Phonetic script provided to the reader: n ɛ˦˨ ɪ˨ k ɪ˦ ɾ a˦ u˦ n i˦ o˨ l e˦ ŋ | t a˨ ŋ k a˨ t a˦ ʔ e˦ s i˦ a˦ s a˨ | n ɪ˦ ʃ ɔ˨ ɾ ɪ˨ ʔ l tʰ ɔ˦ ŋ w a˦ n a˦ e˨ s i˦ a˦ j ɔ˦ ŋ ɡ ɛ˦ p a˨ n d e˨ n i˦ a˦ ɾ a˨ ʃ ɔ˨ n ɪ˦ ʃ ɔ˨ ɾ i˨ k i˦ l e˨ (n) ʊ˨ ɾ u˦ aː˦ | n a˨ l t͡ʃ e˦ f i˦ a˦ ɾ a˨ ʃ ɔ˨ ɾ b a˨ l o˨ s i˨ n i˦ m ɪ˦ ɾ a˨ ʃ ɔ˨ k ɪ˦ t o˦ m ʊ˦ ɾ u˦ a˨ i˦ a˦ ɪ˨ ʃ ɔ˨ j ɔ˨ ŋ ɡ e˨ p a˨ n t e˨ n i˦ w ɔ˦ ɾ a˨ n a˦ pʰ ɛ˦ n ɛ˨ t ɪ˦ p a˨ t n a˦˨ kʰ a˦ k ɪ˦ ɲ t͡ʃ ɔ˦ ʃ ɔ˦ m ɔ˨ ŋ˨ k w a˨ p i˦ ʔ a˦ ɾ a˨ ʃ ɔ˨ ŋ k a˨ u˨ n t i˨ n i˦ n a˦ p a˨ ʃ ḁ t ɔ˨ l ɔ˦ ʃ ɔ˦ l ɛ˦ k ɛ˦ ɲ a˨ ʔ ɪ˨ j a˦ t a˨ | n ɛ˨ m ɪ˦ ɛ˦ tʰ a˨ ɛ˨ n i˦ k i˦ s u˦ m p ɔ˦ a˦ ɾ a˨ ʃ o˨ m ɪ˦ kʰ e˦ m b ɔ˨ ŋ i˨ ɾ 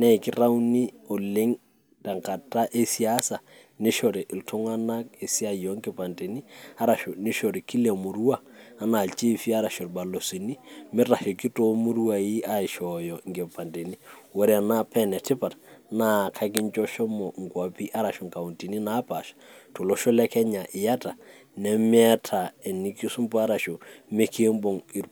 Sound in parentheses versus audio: incorrect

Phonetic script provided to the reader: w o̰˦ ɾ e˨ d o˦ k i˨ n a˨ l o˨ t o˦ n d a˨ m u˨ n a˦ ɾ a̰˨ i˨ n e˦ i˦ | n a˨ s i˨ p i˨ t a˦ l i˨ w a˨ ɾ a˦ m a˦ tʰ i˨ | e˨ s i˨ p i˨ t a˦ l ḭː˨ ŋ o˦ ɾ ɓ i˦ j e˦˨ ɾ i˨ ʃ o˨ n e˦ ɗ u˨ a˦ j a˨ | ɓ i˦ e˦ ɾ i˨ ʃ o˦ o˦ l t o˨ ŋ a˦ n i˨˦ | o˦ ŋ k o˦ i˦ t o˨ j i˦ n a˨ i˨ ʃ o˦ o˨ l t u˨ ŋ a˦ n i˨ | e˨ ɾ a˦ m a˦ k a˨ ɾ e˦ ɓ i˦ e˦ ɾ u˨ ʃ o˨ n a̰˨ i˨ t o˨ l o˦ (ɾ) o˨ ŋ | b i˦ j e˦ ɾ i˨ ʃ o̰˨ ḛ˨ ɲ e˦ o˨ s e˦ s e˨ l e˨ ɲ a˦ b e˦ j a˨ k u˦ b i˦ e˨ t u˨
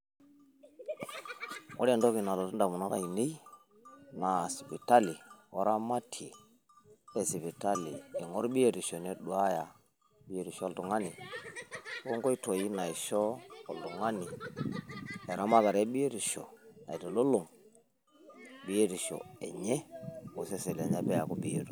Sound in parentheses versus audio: incorrect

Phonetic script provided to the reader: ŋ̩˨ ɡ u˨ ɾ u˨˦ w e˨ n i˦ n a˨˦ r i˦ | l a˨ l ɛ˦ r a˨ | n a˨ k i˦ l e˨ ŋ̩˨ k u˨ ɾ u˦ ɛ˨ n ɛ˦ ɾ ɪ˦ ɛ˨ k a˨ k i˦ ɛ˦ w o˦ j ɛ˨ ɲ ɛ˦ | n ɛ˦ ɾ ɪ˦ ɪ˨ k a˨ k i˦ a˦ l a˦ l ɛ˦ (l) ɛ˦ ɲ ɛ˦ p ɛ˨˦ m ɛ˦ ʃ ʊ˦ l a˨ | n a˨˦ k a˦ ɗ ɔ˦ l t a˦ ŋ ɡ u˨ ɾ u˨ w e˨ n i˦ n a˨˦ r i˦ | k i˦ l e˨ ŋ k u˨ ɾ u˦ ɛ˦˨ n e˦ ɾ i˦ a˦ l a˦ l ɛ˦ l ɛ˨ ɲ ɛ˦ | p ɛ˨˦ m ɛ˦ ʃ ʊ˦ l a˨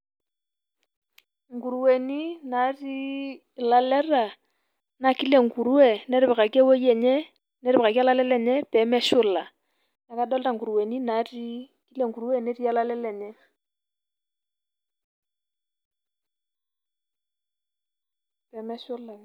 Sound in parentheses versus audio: correct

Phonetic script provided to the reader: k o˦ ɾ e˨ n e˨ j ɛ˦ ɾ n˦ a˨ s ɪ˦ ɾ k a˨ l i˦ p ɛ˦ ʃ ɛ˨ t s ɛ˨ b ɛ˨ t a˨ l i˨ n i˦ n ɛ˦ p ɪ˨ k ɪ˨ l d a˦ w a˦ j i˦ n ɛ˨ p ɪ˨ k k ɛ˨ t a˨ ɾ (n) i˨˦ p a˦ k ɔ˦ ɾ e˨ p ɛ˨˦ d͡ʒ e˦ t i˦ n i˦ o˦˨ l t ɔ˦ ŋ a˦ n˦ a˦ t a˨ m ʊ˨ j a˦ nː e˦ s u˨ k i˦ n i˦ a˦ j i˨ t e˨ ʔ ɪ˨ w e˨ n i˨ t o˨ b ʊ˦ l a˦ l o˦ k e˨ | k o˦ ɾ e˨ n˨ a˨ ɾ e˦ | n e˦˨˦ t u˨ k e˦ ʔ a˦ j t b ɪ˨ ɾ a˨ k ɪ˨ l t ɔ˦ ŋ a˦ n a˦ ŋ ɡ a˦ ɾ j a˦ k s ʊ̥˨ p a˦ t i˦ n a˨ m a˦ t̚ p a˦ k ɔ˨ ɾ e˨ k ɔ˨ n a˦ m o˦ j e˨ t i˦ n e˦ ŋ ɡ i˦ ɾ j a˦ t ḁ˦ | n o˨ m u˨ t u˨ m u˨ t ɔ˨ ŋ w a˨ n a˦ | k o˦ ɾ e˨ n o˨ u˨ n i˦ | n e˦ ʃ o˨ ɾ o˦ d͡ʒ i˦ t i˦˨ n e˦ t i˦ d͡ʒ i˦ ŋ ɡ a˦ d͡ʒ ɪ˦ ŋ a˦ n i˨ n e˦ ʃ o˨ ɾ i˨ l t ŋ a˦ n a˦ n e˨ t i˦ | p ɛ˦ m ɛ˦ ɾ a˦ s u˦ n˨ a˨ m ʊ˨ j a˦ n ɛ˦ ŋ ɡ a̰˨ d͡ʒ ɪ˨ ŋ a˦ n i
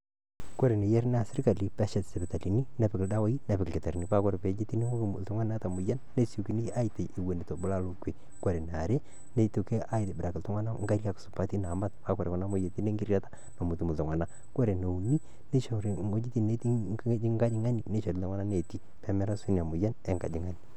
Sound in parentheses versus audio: correct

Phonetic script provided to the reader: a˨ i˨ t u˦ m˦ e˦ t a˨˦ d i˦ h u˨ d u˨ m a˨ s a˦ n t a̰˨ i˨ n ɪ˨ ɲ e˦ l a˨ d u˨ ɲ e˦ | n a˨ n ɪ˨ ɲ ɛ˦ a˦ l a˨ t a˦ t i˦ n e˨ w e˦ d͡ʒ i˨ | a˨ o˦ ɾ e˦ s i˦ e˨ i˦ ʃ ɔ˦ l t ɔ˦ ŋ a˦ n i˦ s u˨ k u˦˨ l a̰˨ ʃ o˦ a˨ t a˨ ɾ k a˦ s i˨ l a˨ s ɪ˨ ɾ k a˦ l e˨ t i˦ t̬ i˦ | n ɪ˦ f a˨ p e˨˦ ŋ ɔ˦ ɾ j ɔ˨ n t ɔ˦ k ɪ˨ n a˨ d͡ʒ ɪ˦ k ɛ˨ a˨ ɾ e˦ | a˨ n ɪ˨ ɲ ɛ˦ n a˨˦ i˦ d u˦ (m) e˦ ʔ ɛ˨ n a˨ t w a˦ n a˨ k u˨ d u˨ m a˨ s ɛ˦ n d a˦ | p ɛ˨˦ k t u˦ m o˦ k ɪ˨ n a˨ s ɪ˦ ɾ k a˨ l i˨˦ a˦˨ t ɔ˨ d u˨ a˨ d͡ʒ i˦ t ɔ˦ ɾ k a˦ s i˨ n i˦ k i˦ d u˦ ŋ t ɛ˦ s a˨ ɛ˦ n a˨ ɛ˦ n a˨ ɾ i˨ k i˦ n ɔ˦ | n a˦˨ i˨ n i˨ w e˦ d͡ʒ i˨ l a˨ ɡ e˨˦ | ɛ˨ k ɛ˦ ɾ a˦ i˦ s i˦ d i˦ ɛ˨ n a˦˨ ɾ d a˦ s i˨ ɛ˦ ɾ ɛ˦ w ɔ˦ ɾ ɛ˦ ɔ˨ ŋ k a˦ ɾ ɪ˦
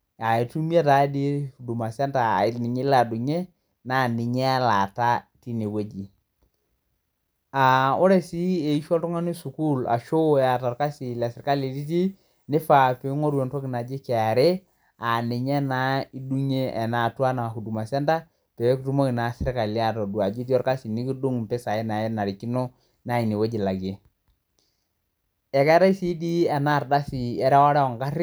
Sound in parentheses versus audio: incorrect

